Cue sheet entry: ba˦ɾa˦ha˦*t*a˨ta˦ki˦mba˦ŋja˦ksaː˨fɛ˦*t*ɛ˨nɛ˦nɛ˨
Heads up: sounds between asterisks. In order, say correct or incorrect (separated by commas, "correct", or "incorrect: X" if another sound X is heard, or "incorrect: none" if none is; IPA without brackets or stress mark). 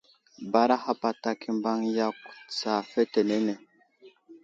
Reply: incorrect: p, correct